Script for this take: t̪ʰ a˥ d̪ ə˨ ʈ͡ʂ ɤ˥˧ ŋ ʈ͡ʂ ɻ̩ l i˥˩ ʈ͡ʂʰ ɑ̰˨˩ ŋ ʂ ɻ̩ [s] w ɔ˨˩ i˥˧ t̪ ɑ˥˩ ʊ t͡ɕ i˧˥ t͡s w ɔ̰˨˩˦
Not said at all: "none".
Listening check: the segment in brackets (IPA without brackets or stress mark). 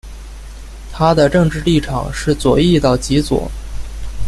t͡s